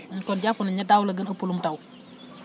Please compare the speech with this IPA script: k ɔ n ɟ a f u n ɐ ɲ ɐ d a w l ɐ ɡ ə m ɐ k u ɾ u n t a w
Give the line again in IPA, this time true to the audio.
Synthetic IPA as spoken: k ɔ n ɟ a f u n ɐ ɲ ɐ d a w l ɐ ɡ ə n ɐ p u l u m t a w